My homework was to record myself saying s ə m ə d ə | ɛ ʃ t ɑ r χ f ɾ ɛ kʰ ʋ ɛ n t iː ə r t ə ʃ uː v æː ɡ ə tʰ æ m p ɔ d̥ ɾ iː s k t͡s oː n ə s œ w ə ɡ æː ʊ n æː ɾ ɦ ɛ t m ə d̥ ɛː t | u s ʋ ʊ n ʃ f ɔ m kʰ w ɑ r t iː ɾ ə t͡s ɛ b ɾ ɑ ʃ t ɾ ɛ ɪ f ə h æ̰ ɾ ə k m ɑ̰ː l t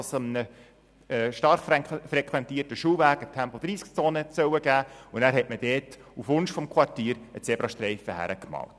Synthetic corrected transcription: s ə m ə n ə | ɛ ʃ t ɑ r χ f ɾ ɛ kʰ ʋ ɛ n t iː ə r t ə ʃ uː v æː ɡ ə tʰ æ m p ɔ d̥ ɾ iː s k t͡s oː n ə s œ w ə ɡ æː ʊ n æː ɾ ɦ ɛ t m ə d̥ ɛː t | u f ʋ ʊ n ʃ f ɔ m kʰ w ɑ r t iː ɾ ə t͡s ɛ b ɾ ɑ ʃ t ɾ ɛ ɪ f ə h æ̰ ɾ ə k m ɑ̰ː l t